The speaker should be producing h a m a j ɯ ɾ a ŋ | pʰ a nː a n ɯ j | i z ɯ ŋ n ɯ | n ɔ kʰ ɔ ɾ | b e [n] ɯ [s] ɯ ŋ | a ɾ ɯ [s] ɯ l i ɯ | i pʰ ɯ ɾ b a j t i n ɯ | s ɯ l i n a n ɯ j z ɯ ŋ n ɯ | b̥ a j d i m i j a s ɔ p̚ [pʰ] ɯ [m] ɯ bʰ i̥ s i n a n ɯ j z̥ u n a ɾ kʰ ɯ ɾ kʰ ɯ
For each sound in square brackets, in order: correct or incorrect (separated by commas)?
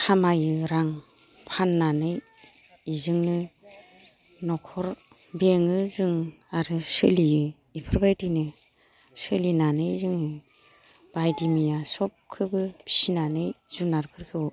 incorrect, incorrect, correct, incorrect, incorrect